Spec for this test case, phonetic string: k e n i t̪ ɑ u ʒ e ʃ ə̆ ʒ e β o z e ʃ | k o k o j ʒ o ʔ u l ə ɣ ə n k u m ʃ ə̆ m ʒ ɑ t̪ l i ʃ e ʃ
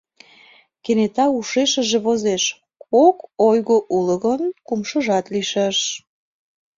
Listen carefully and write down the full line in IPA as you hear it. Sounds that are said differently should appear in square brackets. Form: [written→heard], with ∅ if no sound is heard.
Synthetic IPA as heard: k e n [i→e] t̪ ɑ u [ʒ→ʃ] e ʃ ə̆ ʒ e β o z e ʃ | k o k o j [ʒ→ɣ] o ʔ u l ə ɣ ə n k u m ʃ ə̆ [m→∅] ʒ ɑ t̪ l i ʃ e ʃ